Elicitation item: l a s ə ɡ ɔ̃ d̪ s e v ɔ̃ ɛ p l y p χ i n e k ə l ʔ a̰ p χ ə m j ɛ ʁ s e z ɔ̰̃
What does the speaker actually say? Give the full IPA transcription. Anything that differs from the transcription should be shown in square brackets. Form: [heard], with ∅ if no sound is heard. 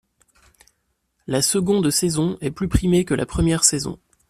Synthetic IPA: l a s ə ɡ ɔ̃ d̪ s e [z] ɔ̃ ɛ p l y p χ i [m] e k ə l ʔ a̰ p χ ə m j ɛ ʁ s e z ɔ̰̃